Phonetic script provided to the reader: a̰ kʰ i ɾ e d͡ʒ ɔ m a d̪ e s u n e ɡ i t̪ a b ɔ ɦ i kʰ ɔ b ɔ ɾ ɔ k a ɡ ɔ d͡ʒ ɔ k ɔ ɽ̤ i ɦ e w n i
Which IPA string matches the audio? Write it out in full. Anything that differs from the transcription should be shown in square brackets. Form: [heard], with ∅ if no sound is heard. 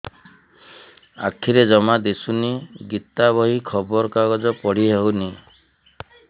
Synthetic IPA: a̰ kʰ i ɾ e d͡ʒ ɔ m a d̪ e s u n [i] ɡ i t̪ a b ɔ ɦ i kʰ ɔ b ɔ ɾ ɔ k a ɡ ɔ d͡ʒ ɔ [p] ɔ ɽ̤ i ɦ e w n i